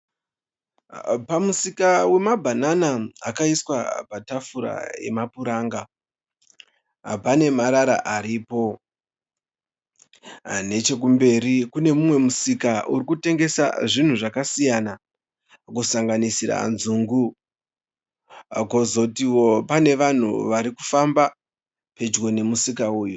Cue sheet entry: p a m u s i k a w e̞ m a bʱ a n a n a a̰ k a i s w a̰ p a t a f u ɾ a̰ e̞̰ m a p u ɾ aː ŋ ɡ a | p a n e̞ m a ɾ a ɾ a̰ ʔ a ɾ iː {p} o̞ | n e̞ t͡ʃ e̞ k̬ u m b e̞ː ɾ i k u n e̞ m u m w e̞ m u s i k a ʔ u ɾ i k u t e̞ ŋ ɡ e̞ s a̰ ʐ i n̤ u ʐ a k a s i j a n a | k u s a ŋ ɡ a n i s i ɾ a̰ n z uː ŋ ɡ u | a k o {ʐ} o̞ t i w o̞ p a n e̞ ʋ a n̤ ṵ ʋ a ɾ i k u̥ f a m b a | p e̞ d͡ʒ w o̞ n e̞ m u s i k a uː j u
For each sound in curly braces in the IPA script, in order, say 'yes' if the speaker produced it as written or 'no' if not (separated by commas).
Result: yes, no